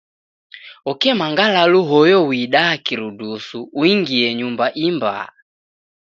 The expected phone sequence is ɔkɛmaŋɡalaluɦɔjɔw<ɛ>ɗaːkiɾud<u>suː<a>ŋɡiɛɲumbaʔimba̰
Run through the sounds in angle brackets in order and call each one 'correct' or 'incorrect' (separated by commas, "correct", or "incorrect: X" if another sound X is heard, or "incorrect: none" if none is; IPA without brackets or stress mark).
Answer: incorrect: i, correct, incorrect: i